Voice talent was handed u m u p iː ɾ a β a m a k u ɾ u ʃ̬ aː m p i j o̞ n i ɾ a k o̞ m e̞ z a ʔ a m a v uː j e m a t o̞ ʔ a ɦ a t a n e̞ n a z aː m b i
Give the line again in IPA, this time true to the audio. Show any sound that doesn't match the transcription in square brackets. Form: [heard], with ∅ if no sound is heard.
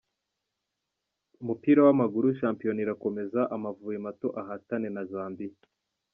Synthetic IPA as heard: u m u p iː ɾ a [w] a m a [ɡ] u ɾ u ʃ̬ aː m p i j o̞ n i ɾ a k o̞ m e̞ z a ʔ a m a v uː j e m a t o̞ ʔ a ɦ a t a n e̞ n a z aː m b i